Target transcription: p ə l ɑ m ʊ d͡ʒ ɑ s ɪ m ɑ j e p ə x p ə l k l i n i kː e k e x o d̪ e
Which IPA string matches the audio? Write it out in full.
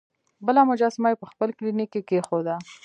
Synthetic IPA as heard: b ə l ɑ m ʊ d͡ʒ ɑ s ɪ m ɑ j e p ə x p ə l k l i n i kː e k e x o d̪ a